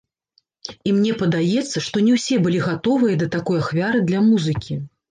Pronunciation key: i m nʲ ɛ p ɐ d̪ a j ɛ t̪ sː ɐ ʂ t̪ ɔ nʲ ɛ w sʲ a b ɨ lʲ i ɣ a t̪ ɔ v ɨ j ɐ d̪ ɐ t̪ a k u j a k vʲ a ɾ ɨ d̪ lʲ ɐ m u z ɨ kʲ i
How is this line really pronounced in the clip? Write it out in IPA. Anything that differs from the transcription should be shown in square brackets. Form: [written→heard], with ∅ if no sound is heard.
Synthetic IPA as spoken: i m nʲ ɛ p ɐ d̪ a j ɛ t̪ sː ɐ ʂ t̪ ɔ nʲ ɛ w sʲ [a→ɛ] b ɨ lʲ i ɣ a t̪ ɔ v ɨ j ɐ d̪ ɐ t̪ a k [u→ɔ] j a [k→x] vʲ a ɾ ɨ d̪ lʲ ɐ m u z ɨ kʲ i